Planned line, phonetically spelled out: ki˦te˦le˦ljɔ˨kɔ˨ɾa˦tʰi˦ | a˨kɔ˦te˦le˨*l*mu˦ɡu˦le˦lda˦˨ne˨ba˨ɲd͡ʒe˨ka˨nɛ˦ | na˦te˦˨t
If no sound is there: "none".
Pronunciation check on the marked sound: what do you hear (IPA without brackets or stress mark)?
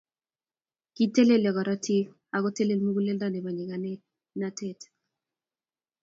l